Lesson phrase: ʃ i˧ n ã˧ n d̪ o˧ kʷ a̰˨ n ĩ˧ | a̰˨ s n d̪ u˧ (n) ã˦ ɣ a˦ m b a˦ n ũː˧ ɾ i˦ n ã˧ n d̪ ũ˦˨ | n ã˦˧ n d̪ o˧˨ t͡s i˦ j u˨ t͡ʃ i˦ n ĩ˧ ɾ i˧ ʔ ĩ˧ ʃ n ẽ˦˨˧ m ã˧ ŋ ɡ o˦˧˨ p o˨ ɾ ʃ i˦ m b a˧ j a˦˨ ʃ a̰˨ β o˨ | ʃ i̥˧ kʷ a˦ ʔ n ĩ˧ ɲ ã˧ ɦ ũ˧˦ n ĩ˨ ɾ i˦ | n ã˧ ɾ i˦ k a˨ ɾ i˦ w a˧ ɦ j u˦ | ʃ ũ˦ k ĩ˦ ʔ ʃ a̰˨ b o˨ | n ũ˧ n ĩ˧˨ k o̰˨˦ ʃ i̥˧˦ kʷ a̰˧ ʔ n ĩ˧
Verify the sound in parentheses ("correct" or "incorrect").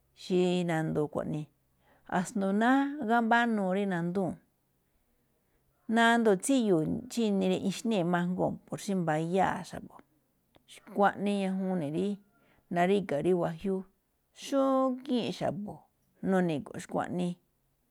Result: correct